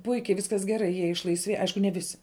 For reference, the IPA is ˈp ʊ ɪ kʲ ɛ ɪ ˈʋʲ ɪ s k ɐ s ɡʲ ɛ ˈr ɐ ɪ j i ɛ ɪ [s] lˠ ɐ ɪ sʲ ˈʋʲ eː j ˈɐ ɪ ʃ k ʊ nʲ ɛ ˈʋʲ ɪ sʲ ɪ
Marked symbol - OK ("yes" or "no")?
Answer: no